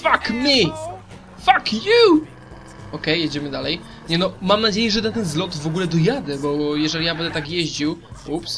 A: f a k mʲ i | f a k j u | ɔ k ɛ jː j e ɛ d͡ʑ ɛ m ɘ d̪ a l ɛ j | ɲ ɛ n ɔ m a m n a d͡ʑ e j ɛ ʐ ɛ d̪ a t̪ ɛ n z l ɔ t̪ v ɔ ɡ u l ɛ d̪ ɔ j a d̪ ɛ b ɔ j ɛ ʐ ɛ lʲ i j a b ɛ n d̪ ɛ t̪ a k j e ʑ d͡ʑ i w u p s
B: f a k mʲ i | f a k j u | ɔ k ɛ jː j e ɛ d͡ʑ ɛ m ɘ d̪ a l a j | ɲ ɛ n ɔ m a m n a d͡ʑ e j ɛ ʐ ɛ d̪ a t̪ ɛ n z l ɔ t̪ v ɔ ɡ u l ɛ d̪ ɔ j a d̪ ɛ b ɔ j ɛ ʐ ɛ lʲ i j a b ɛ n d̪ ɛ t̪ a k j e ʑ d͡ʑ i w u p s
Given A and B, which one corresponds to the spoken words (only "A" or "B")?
A